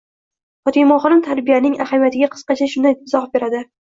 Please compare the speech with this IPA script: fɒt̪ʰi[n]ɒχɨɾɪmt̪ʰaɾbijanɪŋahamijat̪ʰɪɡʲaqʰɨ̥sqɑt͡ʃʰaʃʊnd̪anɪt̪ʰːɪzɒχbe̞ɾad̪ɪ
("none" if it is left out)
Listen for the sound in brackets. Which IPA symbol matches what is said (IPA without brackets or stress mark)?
m